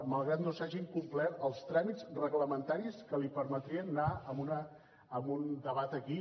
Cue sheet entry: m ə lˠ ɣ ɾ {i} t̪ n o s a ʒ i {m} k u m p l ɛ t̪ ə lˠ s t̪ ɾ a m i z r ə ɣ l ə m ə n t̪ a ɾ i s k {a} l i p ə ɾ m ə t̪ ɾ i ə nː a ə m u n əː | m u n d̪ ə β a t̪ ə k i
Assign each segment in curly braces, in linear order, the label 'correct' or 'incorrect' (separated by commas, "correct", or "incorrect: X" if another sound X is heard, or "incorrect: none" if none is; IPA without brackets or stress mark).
incorrect: a, incorrect: ŋ, incorrect: ə